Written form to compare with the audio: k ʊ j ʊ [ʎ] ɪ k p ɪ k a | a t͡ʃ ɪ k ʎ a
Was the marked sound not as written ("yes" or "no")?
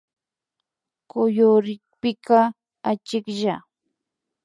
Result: yes